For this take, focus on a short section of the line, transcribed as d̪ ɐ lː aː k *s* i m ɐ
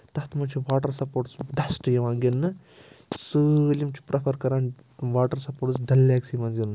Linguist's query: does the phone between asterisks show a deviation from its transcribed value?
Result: no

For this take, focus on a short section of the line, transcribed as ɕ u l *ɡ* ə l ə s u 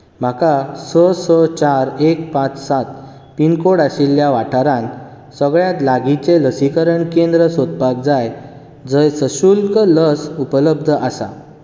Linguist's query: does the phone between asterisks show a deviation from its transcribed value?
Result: yes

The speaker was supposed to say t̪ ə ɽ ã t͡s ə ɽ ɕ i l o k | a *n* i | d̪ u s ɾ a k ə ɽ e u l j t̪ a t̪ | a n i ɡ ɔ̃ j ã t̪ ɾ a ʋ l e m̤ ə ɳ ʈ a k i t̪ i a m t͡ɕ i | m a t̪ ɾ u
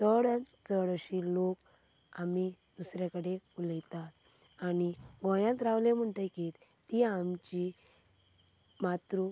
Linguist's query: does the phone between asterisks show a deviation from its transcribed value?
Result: yes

